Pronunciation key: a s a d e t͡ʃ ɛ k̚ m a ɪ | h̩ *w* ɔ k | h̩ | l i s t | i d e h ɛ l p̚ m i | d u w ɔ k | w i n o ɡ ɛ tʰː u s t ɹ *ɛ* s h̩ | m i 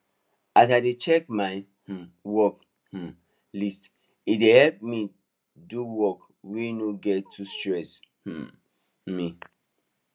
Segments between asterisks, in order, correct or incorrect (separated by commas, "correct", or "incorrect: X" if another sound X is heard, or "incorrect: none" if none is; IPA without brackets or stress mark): correct, correct